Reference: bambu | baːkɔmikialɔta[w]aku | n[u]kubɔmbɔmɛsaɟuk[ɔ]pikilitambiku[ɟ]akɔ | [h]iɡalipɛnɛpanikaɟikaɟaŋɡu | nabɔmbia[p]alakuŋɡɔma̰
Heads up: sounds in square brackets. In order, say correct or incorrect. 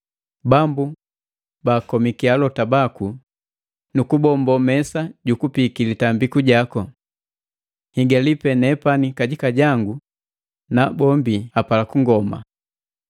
incorrect, correct, incorrect, correct, correct, correct

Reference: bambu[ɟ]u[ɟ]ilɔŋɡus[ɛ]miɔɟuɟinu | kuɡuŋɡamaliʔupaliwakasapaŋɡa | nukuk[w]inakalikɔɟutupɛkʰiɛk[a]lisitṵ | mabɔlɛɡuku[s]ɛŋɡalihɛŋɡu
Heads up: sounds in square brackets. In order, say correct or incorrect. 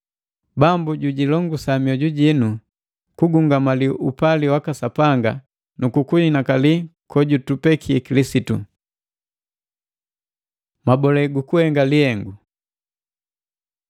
correct, correct, incorrect, incorrect, incorrect, incorrect

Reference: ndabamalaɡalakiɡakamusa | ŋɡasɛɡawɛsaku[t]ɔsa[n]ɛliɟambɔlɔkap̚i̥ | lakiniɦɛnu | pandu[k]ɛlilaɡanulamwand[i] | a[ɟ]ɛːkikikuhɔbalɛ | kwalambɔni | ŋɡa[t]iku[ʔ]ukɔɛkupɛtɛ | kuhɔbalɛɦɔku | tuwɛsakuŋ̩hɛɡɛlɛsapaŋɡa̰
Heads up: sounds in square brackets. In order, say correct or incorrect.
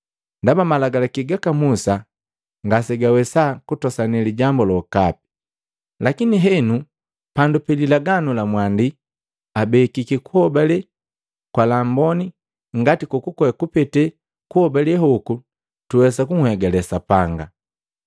correct, correct, incorrect, correct, incorrect, correct, incorrect

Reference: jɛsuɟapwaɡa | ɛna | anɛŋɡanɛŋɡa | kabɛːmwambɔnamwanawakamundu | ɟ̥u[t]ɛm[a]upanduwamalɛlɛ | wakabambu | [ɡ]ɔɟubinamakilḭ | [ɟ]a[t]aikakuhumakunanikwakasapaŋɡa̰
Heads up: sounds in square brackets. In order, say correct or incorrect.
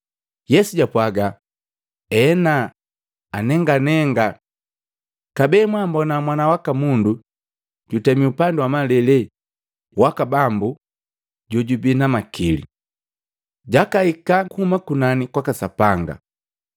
correct, incorrect, incorrect, correct, incorrect

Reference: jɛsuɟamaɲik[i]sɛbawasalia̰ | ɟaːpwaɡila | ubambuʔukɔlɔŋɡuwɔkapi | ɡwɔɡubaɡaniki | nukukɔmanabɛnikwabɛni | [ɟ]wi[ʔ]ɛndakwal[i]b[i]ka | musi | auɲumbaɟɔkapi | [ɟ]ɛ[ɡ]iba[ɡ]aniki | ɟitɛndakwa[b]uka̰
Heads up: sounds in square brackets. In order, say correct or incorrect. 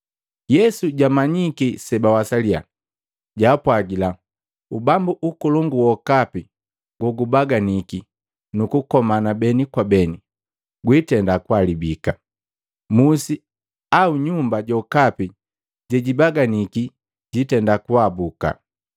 correct, incorrect, incorrect, correct, correct, correct, incorrect, correct, correct

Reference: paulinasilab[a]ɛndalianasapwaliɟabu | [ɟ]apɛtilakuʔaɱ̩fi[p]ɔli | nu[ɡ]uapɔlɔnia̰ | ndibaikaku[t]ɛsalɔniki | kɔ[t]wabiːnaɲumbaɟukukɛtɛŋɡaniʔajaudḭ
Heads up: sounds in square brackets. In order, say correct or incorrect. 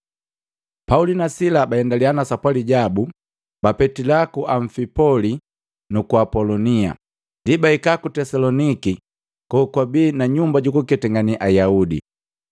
correct, incorrect, correct, incorrect, correct, incorrect

